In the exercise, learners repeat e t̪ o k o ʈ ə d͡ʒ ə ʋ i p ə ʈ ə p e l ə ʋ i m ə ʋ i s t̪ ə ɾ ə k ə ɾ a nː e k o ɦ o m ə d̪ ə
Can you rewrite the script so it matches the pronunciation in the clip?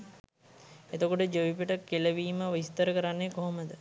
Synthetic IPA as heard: e t̪ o k o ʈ ə d͡ʒ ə ʋ i p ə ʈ ə k e l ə ʋ iː m ə ʋ i s t̪ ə ɾ ə k ə ɾ a nː e k o ɦ o m ə d̪ ə